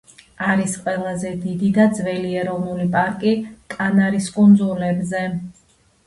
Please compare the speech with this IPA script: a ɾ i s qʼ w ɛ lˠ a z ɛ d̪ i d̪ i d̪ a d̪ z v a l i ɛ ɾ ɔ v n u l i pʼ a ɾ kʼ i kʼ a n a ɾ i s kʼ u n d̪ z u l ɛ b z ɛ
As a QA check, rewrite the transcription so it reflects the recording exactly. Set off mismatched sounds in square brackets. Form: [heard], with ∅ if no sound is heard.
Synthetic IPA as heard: a ɾ i s qʼ w ɛ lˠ a z ɛ d̪ i d̪ i d̪ a d̪ z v [ɛ] l i ɛ ɾ ɔ v n u l i pʼ a ɾ kʼ i kʼ a n a ɾ i s kʼ u n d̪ z u l ɛ b z ɛ